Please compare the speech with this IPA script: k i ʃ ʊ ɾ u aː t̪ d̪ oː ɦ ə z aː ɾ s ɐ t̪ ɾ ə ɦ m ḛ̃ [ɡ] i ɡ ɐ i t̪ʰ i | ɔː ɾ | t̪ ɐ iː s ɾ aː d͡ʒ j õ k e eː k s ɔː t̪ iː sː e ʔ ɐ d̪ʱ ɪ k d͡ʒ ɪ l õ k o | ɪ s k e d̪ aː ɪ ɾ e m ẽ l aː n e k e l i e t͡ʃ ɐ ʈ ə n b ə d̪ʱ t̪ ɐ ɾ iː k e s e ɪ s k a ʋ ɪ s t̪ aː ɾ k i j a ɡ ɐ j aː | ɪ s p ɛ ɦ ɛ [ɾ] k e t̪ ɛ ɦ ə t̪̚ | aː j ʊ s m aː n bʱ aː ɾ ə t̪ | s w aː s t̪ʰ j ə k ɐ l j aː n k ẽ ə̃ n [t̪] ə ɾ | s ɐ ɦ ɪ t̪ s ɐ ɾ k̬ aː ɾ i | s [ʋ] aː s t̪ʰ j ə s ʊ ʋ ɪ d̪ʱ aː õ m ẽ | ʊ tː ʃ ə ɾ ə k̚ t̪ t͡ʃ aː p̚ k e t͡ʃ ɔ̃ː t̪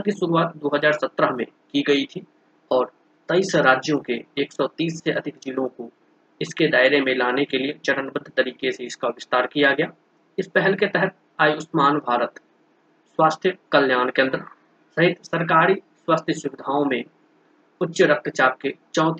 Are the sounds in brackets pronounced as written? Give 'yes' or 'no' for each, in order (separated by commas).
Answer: no, no, no, no